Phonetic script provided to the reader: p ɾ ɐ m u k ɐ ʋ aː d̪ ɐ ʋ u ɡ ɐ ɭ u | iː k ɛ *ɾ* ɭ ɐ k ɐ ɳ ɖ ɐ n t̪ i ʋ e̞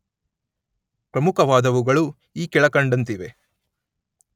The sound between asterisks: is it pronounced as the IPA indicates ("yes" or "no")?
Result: no